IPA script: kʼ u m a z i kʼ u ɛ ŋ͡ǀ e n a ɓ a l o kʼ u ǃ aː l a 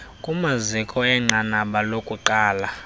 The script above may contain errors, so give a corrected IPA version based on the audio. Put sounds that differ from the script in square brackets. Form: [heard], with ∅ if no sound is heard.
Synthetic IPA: kʼ u m a z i kʼ [ɔ] ɛ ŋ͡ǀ [a] n a ɓ a l o kʼ u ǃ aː l a